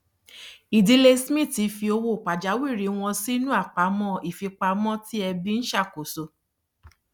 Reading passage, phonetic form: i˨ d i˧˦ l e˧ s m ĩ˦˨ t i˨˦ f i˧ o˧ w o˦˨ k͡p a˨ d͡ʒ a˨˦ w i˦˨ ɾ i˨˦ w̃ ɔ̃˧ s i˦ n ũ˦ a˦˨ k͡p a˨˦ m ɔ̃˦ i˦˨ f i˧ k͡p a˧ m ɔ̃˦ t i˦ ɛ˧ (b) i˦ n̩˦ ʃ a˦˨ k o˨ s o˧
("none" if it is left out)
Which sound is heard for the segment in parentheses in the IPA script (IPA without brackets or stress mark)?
b